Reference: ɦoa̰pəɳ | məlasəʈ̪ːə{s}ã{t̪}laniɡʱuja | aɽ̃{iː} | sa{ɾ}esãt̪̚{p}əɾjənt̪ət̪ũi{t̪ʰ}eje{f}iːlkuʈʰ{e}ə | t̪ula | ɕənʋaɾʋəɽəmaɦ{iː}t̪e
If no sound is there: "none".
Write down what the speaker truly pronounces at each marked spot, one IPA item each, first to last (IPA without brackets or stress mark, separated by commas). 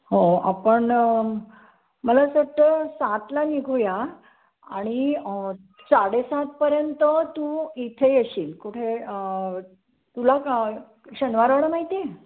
s, t̪, i, ɽ, p, t̪ʰ, ɕ, e, i